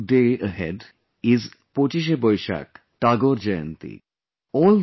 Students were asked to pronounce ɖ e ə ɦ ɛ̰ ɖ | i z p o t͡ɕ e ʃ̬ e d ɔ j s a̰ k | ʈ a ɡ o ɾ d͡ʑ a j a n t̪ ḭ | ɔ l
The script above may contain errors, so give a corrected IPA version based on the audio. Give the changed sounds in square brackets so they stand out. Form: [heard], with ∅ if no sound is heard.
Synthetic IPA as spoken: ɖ e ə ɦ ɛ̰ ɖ | i z p o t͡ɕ [i] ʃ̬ e [b] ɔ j [ʃ] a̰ k | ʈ a ɡ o ɾ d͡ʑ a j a n t̪ ḭ | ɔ l